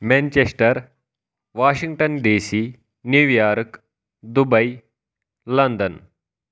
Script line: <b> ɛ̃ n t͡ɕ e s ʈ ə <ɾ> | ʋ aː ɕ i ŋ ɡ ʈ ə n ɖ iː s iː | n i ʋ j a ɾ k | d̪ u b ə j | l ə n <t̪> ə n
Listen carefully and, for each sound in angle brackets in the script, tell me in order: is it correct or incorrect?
incorrect, correct, incorrect

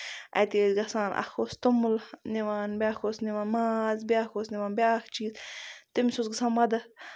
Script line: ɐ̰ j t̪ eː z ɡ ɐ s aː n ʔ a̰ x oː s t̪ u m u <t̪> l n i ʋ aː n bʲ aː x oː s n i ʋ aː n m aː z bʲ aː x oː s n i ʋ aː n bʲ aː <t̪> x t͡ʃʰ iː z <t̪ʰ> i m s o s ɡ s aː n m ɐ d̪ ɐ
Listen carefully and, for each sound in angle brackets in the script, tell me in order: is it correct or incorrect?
incorrect, incorrect, incorrect

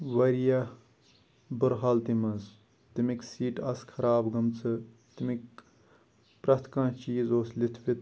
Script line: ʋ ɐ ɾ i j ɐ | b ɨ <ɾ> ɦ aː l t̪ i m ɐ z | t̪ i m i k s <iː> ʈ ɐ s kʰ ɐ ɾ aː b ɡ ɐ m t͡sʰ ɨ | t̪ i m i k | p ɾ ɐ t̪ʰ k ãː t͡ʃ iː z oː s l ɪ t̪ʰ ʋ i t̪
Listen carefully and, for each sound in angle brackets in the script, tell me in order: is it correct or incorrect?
correct, correct

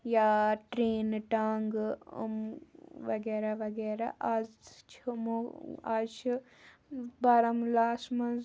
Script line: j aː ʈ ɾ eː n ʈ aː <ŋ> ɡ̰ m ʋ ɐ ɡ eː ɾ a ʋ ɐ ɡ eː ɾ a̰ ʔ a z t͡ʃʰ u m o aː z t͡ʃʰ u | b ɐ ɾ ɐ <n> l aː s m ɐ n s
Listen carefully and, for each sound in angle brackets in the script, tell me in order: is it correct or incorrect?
correct, incorrect

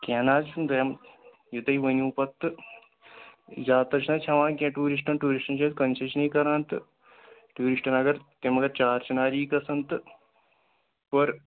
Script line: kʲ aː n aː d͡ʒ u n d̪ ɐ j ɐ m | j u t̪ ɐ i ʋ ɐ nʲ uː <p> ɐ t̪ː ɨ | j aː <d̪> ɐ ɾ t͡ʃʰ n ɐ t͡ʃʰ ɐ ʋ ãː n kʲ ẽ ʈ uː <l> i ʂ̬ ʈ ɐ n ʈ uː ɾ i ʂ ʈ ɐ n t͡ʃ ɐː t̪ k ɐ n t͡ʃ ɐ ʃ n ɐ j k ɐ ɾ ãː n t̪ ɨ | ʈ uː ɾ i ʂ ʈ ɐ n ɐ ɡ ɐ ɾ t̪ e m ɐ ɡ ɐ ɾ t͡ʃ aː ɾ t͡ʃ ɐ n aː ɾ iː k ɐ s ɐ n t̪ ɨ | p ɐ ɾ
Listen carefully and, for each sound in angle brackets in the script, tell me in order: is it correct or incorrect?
correct, incorrect, incorrect

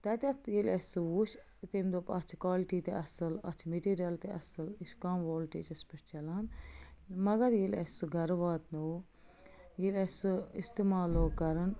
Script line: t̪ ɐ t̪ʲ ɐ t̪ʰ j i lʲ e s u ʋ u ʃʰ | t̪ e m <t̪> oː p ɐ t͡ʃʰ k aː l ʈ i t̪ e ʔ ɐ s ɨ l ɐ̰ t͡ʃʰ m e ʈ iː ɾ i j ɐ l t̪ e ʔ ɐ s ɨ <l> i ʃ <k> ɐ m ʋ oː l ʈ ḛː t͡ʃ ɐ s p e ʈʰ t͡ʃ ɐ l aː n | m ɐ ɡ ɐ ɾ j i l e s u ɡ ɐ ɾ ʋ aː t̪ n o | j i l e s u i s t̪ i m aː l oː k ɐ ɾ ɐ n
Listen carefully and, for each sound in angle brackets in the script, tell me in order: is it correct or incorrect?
incorrect, correct, correct

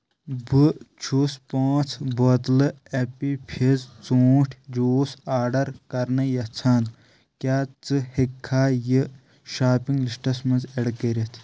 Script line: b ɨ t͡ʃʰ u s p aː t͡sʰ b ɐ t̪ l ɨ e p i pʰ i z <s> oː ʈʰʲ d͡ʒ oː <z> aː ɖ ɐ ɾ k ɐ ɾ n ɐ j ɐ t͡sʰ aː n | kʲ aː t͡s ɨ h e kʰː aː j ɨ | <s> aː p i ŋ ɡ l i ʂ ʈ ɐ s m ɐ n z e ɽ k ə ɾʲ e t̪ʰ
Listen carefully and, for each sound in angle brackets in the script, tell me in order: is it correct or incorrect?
incorrect, incorrect, incorrect

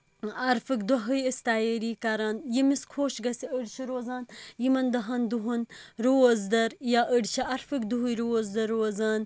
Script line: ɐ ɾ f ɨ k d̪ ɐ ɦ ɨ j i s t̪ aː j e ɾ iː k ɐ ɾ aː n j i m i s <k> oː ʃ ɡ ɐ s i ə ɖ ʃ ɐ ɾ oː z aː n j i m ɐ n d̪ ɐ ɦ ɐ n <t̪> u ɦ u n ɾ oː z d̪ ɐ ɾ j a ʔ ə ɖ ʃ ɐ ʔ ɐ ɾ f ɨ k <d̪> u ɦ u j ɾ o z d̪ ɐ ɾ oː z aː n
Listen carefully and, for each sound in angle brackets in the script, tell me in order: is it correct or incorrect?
incorrect, incorrect, correct

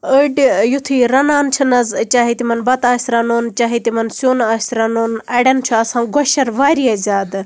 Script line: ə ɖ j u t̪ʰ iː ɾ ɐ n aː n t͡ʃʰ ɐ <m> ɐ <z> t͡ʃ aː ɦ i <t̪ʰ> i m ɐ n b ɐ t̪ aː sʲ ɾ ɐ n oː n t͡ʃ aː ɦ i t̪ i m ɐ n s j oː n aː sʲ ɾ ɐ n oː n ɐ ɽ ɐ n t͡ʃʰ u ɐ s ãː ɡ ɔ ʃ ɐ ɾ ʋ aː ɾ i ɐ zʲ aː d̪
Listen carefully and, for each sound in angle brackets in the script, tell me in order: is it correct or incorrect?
incorrect, correct, incorrect

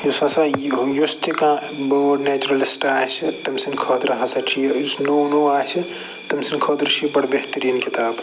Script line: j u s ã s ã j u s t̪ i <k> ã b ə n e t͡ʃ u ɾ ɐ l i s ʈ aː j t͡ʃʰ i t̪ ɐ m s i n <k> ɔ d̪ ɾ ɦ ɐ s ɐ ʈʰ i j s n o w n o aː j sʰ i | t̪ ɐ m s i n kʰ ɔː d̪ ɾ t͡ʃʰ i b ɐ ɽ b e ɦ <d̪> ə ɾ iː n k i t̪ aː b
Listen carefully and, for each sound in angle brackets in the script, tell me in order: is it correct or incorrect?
correct, incorrect, incorrect

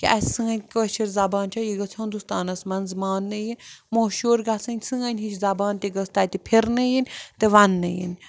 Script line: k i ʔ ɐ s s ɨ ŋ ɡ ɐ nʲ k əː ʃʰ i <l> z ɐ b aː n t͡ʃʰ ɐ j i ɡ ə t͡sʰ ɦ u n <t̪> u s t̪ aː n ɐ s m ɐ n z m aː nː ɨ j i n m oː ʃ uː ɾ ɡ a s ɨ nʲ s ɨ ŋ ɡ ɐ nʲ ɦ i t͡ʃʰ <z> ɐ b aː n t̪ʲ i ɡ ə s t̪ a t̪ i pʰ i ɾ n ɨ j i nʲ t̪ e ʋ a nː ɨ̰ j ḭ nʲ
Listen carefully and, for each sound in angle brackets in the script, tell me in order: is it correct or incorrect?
incorrect, incorrect, correct

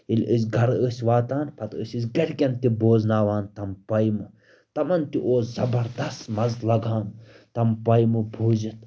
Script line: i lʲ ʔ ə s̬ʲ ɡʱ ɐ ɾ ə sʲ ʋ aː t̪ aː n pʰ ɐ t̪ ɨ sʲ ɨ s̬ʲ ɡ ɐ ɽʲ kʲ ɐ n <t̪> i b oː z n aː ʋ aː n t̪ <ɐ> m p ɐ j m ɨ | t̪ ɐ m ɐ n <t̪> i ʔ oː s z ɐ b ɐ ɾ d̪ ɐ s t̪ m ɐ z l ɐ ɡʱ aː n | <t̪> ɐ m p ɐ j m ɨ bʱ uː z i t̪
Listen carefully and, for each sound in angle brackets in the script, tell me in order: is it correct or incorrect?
correct, correct, correct, correct

